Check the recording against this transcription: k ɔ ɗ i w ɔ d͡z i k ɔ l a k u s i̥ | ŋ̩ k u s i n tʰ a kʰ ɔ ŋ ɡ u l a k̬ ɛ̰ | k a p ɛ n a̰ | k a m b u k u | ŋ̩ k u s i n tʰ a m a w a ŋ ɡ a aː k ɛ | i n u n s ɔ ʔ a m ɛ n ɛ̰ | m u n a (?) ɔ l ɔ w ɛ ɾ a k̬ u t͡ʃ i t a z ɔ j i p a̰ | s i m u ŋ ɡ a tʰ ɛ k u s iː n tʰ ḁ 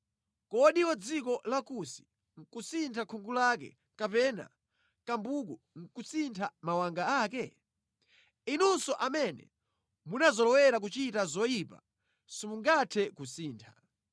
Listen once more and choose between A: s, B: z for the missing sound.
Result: B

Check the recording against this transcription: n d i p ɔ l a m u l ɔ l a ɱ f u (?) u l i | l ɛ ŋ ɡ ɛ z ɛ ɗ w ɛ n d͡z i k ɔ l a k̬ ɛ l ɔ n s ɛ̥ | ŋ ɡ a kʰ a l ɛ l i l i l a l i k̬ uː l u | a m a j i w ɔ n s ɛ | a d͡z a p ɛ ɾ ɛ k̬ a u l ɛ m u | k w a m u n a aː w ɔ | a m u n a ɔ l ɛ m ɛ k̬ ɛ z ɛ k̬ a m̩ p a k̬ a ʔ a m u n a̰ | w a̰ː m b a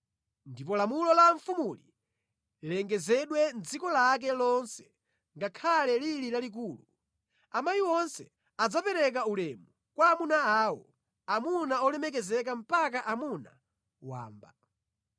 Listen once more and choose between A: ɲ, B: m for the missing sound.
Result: B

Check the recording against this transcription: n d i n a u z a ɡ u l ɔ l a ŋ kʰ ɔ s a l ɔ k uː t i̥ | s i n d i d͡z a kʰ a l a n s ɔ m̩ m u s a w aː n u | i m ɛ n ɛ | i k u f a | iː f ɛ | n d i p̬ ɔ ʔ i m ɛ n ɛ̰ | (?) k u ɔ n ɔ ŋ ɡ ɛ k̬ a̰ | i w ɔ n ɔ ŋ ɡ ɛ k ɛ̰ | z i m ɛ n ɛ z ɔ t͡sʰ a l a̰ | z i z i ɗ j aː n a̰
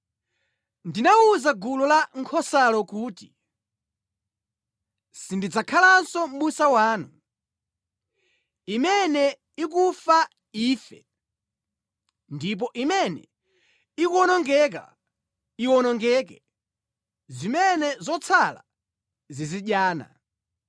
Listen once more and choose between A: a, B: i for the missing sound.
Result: B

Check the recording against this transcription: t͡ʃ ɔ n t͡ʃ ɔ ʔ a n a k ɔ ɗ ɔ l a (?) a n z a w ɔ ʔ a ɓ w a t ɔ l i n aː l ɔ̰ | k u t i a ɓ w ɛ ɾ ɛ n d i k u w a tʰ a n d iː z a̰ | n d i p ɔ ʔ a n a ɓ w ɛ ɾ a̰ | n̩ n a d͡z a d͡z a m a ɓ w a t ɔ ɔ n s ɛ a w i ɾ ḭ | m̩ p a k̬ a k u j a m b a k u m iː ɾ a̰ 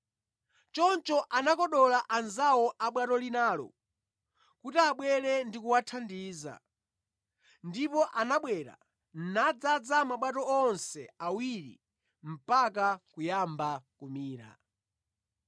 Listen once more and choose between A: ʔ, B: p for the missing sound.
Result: A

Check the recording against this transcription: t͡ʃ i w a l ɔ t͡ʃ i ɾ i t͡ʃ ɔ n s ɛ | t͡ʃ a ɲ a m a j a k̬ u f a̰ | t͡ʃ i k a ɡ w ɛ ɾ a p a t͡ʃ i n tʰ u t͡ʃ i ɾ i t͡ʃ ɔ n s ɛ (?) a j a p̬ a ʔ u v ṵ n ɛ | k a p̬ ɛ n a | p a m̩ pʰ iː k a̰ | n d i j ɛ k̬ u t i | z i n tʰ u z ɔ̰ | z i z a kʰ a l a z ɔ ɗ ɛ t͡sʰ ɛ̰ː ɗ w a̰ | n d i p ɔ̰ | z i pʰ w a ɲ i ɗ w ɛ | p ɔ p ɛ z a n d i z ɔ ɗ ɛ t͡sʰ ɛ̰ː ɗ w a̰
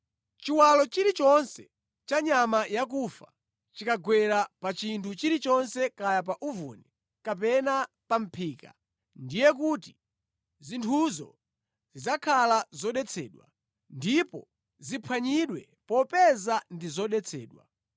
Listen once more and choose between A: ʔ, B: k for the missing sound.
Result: B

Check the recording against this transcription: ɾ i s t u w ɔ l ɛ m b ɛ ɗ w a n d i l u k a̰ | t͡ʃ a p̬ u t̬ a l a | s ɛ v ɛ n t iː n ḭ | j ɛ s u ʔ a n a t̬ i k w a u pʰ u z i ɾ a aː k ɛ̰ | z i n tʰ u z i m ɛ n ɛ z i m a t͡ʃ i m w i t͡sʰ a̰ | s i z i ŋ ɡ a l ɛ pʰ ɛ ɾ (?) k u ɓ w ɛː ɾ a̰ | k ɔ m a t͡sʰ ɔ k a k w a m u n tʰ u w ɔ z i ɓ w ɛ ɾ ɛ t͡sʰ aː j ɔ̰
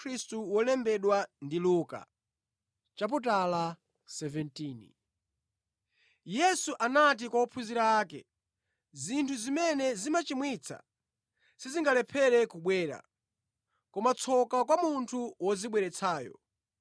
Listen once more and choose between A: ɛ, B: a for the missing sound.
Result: A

